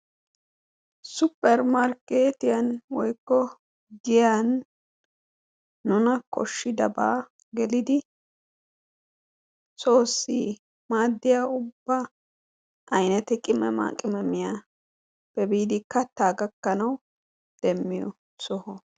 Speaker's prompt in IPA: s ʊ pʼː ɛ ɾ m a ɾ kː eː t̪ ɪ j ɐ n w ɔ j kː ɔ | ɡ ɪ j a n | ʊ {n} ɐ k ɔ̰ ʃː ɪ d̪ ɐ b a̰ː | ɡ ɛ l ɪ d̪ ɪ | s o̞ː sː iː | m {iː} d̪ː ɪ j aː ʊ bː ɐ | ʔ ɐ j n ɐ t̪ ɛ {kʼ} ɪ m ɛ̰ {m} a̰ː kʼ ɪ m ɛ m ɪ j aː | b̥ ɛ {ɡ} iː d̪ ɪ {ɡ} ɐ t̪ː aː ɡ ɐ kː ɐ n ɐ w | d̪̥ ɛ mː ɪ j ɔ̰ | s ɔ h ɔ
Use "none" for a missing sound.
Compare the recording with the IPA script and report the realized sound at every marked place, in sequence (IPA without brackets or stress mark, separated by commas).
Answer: n, aː, kʼ, m, b, k